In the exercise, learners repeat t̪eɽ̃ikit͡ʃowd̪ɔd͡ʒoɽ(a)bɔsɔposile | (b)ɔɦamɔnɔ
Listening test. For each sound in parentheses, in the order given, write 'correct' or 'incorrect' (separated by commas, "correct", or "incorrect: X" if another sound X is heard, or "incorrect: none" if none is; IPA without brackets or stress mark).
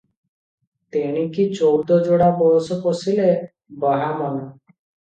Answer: correct, correct